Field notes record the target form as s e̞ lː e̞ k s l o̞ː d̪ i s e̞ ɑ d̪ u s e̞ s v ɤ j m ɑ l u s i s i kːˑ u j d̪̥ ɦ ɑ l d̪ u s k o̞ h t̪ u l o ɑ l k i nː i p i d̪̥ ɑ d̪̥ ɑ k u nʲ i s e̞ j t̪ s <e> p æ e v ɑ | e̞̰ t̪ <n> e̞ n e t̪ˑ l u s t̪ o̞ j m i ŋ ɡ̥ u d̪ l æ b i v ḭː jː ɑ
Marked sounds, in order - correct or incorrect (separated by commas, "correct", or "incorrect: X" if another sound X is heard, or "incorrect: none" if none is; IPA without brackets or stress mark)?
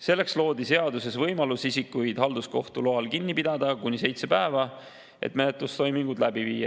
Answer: correct, incorrect: m